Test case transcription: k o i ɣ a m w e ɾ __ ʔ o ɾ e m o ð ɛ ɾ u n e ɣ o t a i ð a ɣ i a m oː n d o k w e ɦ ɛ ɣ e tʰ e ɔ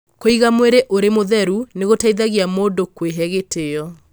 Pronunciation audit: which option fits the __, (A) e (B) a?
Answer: A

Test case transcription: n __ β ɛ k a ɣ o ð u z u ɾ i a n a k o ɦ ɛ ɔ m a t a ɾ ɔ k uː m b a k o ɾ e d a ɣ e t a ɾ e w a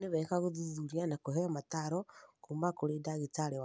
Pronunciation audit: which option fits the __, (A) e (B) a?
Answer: A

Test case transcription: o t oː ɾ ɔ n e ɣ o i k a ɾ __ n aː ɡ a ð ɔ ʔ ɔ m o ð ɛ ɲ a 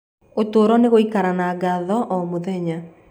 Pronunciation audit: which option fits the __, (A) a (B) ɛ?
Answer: A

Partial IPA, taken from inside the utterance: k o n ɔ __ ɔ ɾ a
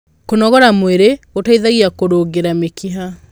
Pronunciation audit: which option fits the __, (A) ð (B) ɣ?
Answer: B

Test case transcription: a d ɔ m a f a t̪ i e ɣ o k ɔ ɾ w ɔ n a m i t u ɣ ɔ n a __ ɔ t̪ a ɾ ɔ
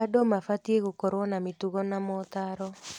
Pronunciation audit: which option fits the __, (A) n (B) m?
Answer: B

